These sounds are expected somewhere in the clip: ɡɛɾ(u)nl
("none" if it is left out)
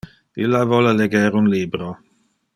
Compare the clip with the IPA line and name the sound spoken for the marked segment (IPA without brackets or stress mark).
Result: u